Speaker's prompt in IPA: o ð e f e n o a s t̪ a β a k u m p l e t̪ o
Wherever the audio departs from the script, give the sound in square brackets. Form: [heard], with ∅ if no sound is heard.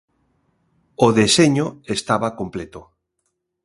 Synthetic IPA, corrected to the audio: o ð e [s] e [ɲ] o [e] s t̪ a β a k [o] m p l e t̪ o